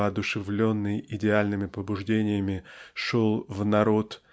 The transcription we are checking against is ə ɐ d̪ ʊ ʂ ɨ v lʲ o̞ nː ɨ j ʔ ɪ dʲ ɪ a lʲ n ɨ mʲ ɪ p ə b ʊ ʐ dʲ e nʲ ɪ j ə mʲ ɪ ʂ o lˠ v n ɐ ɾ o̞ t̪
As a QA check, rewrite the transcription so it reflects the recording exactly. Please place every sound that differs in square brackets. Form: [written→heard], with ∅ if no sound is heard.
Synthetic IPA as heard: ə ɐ d̪ ʊ ʂ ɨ v lʲ o̞ nː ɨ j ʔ ɪ dʲ ɪ a lʲ n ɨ mʲ ɪ p ə b ʊ ʐ dʲ e nʲ ɪ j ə mʲ ɪ ʂ o lˠ v n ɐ ɾ o̞ t̪